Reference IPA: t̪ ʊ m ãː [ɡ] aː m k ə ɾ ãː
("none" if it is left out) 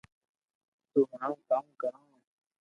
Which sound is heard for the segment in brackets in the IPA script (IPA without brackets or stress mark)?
k